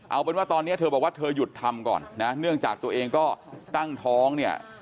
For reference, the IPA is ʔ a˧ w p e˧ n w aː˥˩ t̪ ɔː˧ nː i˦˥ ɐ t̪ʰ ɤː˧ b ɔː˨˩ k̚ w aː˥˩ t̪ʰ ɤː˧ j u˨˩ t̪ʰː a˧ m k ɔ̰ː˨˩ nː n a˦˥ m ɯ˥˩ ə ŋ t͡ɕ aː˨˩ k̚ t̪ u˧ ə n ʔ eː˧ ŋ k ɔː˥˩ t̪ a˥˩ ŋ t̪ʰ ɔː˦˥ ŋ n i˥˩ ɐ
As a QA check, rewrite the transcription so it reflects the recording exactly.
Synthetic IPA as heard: ʔ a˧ w p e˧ n w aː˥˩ t̪ ɔː˧ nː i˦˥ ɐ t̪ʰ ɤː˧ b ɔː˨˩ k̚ w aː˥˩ t̪ʰ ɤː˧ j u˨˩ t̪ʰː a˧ m k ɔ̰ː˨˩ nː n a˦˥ n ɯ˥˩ ə ŋ t͡ɕ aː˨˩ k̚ t̪ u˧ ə ʔ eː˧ ŋ k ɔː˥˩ t̪ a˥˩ ŋ t̪ʰ ɔː˦˥ ŋ n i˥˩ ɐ

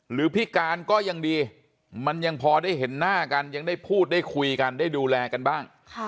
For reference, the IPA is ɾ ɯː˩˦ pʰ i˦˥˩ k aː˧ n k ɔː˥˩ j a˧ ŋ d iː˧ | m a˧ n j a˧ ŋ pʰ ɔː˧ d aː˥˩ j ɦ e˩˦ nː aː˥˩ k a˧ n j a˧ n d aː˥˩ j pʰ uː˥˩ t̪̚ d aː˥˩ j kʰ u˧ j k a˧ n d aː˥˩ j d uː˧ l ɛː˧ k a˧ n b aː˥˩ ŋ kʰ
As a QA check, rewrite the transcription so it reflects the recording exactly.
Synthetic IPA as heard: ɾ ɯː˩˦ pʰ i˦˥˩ k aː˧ n k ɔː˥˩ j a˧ ŋ d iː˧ | m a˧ n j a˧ ŋ pʰ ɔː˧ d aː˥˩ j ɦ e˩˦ nː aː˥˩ k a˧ n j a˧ ŋ d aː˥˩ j pʰ uː˥˩ t̪̚ d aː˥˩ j kʰ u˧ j k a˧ n d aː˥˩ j d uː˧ l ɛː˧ k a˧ n b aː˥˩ ŋ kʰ

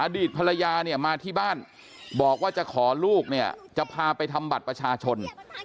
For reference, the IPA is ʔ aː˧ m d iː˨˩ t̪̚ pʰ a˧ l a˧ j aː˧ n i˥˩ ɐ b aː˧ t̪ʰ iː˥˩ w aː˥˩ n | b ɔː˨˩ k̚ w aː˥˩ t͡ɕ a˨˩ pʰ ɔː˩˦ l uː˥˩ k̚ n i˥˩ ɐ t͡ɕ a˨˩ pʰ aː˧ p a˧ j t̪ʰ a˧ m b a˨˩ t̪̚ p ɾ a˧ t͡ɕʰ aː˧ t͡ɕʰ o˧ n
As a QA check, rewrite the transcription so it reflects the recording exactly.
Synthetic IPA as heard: ʔ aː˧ d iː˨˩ t̪̚ pʰ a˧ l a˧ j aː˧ n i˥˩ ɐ m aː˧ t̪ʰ iː˥˩ b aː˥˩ n | b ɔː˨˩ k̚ w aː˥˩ t͡ɕ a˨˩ kʰ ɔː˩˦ l uː˥˩ k̚ n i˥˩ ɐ t͡ɕ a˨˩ pʰ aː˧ p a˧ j t̪ʰ a˧ m b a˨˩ t̪̚ p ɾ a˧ t͡ɕʰ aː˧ t͡ɕʰ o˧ n

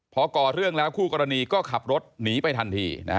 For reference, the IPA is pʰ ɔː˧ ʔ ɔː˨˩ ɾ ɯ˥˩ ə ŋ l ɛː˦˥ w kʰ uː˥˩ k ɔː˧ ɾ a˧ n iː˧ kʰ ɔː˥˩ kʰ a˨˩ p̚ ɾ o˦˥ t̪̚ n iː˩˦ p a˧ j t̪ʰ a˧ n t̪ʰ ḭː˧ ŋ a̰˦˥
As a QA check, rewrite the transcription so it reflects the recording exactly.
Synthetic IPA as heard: pʰ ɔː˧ k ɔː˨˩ ɾ ɯ˥˩ ə ŋ l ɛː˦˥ w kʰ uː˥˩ k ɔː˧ ɾ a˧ n iː˧ k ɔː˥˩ kʰ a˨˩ p̚ ɾ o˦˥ t̪̚ n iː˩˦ p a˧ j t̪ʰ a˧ n t̪ʰ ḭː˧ n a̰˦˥

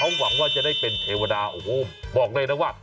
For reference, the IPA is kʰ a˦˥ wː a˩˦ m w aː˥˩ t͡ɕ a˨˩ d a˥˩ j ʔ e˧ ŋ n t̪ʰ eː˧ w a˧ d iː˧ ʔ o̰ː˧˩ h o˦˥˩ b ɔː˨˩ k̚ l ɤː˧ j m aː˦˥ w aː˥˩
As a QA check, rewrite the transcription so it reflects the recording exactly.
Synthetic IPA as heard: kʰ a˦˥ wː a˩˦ ŋ w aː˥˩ t͡ɕ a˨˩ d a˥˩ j p e˧ n t̪ʰ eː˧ w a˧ d aː˧ ʔ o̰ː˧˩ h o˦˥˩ b ɔː˨˩ k̚ l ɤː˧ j n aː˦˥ w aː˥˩

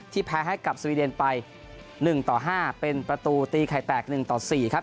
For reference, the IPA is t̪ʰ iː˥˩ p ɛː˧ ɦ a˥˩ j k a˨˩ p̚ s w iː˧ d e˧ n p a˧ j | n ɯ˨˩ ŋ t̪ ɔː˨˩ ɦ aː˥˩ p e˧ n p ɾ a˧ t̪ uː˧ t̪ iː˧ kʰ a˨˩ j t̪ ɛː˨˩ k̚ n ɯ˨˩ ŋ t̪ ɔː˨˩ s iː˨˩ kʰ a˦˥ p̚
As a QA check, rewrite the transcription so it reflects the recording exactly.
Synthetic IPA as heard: t̪ʰ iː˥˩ pʰ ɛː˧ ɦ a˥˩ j k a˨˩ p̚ s w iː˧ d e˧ n p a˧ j | n ɯ˨˩ ŋ t̪ ɔː˨˩ ɦ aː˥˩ p e˧ n p ɾ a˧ t̪ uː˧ t̪ iː˧ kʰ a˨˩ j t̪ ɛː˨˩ k̚ n ɯ˨˩ ŋ t̪ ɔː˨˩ s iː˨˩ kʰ a˦˥ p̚

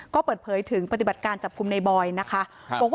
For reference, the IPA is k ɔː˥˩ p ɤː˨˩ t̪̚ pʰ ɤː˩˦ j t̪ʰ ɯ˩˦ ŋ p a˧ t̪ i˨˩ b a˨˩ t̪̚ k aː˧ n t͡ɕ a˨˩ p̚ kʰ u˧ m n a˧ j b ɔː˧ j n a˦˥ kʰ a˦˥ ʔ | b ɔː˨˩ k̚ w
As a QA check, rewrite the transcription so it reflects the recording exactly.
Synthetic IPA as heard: k ɔː˥˩ p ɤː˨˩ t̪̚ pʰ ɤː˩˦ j t̪ʰ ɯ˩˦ ŋ p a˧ t̪ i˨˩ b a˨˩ t̪̚ k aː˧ n t͡ɕ a˨˩ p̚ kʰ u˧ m n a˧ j b ɔː˧ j n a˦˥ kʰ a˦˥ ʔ | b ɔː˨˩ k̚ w

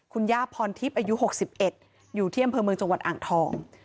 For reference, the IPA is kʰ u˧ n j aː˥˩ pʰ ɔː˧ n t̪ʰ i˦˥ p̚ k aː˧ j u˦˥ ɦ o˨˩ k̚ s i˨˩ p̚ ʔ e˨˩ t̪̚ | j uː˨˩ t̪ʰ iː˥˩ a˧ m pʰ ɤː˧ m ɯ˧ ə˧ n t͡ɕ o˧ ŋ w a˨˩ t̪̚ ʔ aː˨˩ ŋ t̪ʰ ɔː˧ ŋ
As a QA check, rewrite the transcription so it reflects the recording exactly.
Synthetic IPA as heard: kʰ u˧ n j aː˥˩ pʰ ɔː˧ n t̪ʰ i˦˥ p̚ ʔ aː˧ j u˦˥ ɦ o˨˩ k̚ s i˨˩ p̚ ʔ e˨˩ t̪̚ | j uː˨˩ t̪ʰ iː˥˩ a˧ m pʰ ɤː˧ m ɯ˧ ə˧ ŋ t͡ɕ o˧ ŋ w a˨˩ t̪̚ ʔ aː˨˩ ŋ t̪ʰ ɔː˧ ŋ

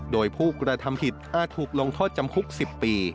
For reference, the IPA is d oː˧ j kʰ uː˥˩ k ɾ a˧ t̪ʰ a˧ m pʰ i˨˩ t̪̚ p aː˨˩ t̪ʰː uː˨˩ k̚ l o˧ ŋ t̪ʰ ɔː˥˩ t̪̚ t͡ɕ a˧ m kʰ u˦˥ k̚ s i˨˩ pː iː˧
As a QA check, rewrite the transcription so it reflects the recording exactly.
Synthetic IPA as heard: d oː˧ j pʰ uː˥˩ k ɾ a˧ t̪ʰ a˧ m pʰ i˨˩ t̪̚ ʔ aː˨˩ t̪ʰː uː˨˩ k̚ l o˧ ŋ t̪ʰ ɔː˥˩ t̪̚ t͡ɕ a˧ m kʰ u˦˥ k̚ s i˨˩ pː iː˧

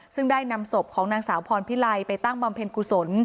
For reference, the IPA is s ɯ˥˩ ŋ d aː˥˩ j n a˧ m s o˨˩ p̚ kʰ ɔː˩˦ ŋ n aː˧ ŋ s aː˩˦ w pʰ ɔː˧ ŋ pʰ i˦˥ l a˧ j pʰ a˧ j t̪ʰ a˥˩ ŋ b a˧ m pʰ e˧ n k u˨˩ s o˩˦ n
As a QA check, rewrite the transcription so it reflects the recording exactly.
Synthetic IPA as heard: s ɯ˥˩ ŋ d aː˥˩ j n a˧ m s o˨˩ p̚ kʰ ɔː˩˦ ŋ n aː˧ ŋ s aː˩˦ w pʰ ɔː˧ n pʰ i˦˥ l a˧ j p a˧ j t̪ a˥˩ ŋ b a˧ m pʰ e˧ n k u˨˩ s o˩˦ n

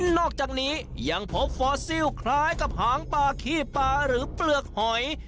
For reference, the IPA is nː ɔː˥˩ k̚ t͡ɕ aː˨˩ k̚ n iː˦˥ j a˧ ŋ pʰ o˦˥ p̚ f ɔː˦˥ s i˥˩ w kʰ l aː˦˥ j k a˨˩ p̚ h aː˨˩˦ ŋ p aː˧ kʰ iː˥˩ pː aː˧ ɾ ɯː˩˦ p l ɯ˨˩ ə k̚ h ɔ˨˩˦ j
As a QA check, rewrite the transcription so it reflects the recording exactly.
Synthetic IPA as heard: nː ɔː˥˩ k̚ t͡ɕ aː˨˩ k̚ n iː˦˥ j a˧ ŋ pʰ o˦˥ p̚ f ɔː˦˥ s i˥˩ w kʰ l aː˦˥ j k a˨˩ p̚ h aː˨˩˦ ŋ p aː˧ kʰ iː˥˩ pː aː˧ ɾ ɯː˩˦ p l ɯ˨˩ ə k̚ h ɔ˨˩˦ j

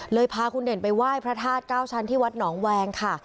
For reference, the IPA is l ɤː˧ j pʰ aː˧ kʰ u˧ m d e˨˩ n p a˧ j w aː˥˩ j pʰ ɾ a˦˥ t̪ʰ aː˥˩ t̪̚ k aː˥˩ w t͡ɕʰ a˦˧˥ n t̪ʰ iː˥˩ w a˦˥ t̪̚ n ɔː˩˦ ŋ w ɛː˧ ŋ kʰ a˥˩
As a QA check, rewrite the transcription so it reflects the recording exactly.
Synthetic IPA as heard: l ɤː˧ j pʰ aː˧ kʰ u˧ n d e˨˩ n p a˧ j w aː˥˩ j pʰ ɾ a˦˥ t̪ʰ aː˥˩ t̪̚ k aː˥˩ w t͡ɕʰ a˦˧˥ n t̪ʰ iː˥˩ w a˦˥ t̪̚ n ɔː˩˦ ŋ w ɛː˧ ŋ kʰ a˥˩

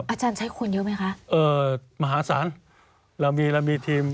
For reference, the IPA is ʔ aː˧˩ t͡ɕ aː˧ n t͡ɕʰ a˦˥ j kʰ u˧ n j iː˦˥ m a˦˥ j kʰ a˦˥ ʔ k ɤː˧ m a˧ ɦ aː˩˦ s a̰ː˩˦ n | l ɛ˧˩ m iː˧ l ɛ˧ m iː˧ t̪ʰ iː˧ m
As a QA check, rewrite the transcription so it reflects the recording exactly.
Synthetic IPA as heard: ʔ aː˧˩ t͡ɕ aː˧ n t͡ɕʰ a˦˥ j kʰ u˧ n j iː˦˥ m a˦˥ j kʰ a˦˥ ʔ ʔ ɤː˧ m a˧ ɦ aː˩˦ s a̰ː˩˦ n | l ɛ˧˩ m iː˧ l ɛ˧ m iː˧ t̪ʰ iː˧ m

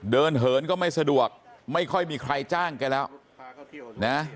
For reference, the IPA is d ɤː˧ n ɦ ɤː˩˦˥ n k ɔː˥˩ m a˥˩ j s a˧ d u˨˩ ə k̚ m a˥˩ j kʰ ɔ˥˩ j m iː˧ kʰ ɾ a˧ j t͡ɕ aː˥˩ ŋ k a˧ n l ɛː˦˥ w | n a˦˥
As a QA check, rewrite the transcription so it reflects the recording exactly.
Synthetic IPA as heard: d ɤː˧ n ɦ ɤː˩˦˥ n k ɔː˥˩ m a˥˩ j s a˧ d u˨˩ ə k̚ m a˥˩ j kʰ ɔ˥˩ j m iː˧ kʰ ɾ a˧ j t͡ɕ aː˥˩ ŋ k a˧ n l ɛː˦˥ w | n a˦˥

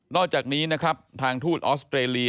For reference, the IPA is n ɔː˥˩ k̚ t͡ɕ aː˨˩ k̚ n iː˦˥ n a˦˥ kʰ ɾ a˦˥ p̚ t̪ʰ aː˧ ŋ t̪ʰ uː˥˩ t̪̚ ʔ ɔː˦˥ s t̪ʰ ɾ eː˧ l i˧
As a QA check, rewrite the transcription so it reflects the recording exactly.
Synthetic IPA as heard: n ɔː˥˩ k̚ t͡ɕ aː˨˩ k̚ n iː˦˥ n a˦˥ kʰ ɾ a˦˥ p̚ t̪ʰ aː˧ ŋ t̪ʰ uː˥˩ t̪̚ ʔ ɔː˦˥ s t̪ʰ ɾ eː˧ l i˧

